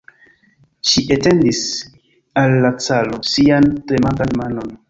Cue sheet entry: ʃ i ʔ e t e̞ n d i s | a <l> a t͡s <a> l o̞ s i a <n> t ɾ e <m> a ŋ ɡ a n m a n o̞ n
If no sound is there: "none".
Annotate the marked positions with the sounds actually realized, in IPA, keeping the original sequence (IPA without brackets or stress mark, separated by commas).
lː, a, n, m